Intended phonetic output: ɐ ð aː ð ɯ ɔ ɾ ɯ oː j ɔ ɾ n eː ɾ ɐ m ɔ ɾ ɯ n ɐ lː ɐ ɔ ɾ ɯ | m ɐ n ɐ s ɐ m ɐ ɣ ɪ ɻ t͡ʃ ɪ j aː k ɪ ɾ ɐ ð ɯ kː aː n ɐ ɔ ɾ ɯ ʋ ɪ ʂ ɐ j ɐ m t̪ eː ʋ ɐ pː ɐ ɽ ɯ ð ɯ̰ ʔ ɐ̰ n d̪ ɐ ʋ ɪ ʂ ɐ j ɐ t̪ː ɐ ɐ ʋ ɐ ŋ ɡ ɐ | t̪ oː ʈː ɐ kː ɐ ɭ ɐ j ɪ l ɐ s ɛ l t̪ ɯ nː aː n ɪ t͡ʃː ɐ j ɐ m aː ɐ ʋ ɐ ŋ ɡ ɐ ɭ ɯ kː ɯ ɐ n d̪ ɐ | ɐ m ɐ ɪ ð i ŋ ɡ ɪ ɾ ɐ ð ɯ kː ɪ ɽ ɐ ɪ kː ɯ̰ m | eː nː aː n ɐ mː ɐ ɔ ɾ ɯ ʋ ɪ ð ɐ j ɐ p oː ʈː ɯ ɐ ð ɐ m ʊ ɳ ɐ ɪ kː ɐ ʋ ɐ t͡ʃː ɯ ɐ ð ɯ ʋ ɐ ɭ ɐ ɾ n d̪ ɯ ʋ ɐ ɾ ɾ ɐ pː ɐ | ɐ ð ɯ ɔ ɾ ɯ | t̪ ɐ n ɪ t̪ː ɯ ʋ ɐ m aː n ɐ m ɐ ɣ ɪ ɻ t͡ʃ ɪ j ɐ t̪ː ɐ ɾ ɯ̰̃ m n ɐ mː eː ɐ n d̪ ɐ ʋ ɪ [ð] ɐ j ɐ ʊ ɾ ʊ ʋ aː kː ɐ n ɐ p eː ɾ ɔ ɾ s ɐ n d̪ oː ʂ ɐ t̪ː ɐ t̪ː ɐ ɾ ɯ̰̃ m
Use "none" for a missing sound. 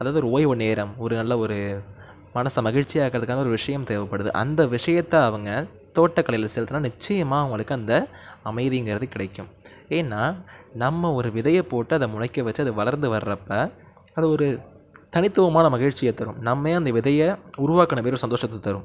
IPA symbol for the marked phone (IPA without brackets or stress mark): ð